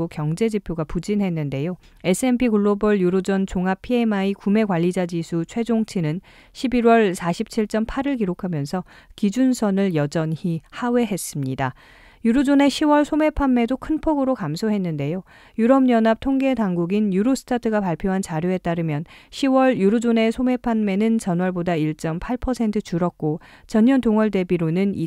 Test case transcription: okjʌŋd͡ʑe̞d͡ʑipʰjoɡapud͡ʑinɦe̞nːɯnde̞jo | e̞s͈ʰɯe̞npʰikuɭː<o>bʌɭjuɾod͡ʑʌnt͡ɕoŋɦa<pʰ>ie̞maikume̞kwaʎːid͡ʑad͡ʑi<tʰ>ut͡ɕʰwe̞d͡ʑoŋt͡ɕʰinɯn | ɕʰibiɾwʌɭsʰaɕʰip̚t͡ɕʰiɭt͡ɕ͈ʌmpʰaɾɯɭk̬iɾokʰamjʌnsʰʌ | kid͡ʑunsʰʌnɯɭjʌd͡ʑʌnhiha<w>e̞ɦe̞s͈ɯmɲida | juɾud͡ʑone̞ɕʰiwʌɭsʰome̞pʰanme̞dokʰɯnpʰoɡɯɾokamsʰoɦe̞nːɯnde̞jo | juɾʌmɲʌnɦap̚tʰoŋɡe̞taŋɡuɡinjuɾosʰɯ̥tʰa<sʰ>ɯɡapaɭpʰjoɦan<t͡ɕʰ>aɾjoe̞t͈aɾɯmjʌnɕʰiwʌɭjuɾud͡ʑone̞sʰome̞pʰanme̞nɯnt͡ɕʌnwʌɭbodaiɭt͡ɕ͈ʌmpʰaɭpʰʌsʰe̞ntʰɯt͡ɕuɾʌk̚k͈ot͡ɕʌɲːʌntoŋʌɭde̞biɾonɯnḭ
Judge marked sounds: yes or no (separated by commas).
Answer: yes, yes, no, yes, no, no